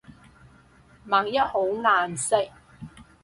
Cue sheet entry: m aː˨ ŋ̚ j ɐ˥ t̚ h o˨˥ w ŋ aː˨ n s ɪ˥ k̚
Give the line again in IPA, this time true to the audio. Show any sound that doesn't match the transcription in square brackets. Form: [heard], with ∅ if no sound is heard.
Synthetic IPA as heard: m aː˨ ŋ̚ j ɐ˥ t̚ h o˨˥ w ŋ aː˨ n s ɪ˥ k̚